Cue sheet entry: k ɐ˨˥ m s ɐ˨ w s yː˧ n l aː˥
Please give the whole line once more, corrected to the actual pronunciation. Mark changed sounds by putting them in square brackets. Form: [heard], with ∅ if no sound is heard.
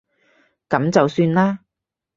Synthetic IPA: k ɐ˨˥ m [t͡s] ɐ˨ w s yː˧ n l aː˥